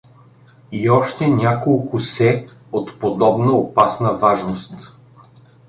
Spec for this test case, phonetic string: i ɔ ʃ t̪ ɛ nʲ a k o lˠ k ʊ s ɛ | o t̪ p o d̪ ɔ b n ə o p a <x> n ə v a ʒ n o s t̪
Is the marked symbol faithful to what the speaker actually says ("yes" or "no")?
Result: no